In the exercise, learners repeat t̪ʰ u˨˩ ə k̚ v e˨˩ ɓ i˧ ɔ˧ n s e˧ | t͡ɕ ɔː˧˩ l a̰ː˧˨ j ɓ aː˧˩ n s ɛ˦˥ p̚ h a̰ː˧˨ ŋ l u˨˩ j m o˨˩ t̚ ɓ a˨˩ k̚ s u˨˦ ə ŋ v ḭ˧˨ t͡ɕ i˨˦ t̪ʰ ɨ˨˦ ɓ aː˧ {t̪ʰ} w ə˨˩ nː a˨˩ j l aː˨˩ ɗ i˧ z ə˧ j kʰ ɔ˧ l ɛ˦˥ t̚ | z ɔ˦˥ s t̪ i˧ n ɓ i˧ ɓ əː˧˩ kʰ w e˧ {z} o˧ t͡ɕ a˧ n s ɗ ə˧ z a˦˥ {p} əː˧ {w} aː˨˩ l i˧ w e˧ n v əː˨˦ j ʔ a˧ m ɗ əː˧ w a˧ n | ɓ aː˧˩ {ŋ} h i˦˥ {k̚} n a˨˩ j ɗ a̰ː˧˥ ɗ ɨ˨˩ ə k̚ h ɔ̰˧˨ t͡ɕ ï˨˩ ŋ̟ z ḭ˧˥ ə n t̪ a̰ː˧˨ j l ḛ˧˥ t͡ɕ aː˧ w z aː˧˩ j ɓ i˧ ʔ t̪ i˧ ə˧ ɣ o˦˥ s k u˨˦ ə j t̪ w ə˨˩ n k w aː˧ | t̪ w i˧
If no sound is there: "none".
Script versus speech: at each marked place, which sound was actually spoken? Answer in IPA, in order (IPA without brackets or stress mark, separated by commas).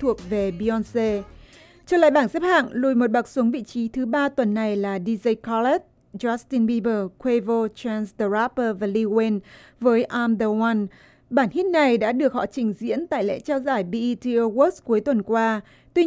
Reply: t̪, v, p, v, n, t̚